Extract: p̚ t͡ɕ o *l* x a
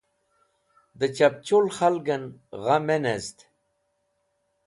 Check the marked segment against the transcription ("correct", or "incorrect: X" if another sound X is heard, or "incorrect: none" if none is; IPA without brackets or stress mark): correct